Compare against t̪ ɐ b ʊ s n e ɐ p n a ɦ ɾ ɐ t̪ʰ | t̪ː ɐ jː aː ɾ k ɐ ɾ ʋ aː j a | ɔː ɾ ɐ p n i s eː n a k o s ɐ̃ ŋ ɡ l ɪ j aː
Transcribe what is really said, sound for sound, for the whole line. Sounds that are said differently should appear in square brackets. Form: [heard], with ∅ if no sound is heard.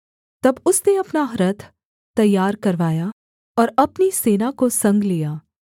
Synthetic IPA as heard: t̪ ɐ b ʊ s n e ɐ p n a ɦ ɾ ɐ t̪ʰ | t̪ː ɐ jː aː ɾ k ɐ ɾ ʋ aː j a | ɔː ɾ ɐ p n i s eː n a k o s ɐ̃ ŋ ɡ l [i] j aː